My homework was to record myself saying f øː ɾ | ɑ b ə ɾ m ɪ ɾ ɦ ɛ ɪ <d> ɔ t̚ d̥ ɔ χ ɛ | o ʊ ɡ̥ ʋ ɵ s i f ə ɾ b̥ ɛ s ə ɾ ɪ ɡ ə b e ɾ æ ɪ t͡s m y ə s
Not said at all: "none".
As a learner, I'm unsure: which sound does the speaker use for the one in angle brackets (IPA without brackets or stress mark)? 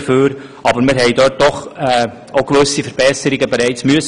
d